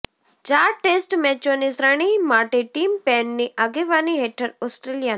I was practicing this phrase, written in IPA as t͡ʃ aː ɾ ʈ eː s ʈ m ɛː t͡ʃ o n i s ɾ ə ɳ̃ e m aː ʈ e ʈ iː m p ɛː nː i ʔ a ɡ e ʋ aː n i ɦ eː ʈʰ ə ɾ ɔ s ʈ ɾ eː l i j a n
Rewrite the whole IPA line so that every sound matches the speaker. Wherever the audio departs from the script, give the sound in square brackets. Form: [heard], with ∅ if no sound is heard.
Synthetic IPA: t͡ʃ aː ɾ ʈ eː s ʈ m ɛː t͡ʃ o n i s ɾ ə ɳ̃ [i] m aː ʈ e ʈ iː m p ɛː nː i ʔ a ɡ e ʋ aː n i ɦ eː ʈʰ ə ɾ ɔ s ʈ ɾ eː l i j a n